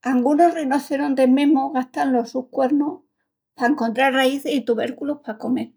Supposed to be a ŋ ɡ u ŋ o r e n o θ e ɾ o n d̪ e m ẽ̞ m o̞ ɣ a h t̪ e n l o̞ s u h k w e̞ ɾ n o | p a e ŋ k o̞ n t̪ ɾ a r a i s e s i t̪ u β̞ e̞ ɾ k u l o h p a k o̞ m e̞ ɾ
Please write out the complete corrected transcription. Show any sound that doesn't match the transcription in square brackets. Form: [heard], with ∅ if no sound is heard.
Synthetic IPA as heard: a ŋ ɡ u [n] o r e n o θ e ɾ o n d̪ e m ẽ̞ m o̞ ɣ a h t̪ [a] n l o̞ s u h k w e̞ ɾ n o | p a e ŋ k o̞ n t̪ ɾ a r a i [θ] e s i t̪ u β̞ e̞ ɾ k u l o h p a k o̞ m e̞ ɾ